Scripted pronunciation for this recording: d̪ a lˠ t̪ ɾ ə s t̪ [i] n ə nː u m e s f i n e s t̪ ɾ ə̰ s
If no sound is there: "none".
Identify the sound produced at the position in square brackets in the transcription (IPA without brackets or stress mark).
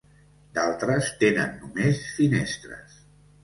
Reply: e